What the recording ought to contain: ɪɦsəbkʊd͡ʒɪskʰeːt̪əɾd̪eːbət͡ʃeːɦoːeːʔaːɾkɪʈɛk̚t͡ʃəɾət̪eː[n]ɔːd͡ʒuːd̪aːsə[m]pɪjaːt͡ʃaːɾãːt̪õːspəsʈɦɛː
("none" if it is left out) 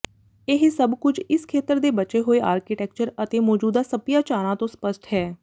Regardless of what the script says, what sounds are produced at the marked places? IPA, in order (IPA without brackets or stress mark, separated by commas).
m, none